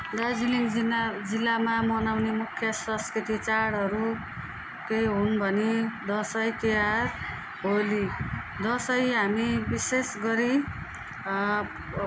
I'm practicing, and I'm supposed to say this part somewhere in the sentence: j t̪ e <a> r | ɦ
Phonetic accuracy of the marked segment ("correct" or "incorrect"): correct